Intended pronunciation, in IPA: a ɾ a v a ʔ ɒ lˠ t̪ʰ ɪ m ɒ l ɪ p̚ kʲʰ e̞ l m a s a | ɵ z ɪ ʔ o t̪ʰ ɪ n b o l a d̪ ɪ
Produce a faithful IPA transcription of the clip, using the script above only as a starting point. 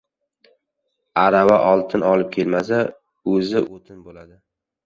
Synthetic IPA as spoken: a ɾ a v a ʔ ɒ lˠ t̪ʰ ɪ n ɒ l ɪ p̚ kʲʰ e̞ l m a s a | ɵ z ɪ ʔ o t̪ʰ ɪ n b o l a d̪ ɪ